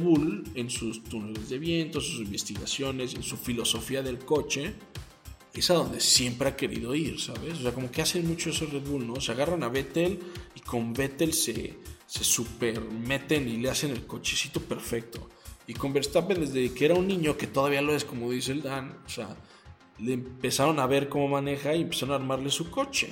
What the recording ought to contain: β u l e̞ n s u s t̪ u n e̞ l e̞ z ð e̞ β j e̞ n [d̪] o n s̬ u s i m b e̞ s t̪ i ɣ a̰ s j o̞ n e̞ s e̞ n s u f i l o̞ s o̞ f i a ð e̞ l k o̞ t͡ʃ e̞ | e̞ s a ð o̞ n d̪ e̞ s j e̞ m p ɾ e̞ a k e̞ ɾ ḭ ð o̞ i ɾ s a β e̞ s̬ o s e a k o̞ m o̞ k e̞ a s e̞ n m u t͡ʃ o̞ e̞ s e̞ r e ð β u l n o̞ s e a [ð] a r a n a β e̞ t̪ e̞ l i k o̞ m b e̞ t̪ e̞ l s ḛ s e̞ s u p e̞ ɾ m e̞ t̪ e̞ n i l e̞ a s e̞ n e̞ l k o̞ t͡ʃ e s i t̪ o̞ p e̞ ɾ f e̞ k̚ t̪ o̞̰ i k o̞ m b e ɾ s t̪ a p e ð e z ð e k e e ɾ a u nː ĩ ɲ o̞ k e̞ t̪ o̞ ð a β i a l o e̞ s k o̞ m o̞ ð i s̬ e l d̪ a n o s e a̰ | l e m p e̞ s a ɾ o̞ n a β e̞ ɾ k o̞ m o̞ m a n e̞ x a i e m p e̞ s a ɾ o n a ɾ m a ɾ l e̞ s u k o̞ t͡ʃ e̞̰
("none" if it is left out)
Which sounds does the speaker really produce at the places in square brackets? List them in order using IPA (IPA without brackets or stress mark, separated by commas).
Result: t̪, ɣ